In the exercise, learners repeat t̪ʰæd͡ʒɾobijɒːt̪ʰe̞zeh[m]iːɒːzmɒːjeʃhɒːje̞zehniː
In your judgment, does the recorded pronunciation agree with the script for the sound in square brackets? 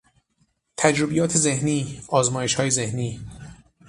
no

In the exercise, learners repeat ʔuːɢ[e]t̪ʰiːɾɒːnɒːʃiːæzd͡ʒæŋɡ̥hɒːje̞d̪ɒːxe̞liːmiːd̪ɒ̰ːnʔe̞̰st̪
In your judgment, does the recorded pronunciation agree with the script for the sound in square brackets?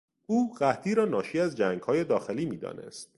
no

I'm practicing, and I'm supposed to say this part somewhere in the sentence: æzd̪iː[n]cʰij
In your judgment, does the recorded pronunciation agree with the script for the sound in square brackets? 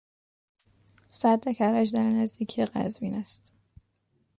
no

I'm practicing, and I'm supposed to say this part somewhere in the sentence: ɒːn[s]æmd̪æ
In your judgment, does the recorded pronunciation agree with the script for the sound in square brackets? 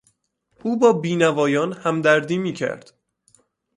no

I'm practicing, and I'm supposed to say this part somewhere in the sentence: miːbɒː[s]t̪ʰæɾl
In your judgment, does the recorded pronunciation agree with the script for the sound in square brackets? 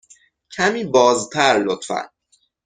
no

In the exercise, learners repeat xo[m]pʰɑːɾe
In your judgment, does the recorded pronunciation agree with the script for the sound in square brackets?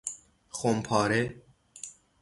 yes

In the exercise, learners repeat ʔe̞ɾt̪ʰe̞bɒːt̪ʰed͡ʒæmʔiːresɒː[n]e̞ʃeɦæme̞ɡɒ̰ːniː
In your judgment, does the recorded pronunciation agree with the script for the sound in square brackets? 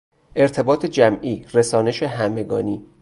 yes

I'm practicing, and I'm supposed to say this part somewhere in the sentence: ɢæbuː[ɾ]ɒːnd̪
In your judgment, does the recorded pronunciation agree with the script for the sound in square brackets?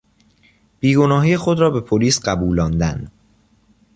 no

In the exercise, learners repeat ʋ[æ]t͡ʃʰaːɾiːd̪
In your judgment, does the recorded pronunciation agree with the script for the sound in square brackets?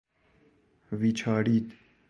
no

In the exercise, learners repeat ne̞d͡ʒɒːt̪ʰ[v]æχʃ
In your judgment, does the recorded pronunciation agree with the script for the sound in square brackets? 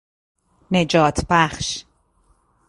no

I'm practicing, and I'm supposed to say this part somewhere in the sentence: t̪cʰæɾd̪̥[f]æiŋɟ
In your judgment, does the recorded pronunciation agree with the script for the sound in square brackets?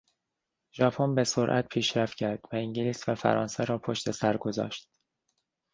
no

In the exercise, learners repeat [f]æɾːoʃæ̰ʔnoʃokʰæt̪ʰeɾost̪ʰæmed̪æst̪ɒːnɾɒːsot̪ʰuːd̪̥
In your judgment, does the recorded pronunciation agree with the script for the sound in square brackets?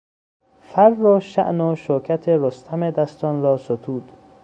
yes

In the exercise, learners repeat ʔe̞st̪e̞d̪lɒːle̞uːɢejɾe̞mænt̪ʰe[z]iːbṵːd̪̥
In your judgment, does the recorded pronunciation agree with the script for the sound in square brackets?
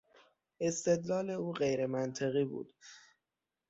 no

